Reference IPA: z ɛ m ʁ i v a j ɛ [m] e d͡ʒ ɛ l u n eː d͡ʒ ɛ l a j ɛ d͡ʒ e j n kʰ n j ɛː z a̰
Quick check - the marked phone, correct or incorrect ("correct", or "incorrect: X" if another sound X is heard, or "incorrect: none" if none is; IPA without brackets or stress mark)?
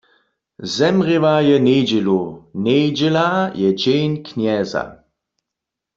incorrect: n